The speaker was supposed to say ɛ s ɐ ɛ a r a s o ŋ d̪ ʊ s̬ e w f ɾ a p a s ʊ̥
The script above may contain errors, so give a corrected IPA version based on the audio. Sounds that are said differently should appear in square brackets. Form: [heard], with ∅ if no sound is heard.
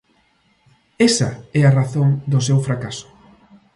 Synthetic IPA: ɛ s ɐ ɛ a r a [θ] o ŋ d̪ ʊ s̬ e w f ɾ a [k] a s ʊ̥